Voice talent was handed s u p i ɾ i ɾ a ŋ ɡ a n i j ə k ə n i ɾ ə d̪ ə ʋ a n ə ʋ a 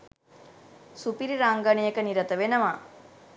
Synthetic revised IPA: s u p i ɾ i ɾ a ŋ ɡ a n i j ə k ə n i ɾ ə t̪ ə ʋ e n ə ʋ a